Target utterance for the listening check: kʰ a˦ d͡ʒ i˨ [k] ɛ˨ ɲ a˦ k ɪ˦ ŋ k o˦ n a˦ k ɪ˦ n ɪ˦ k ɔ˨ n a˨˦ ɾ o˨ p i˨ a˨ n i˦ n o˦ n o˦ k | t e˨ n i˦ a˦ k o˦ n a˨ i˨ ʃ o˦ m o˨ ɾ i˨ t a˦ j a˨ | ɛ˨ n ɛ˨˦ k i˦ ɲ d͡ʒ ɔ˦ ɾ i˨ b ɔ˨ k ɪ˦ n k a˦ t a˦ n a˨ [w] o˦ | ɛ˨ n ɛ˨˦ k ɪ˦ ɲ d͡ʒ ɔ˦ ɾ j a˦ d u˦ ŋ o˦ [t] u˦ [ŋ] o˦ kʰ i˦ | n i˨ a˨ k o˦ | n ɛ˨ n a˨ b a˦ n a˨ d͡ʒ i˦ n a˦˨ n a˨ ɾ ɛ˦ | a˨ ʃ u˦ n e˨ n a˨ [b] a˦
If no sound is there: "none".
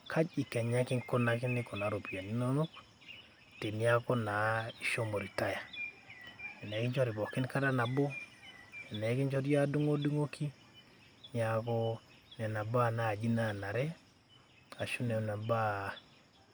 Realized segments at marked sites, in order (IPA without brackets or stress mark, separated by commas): k, b, d, ŋ, b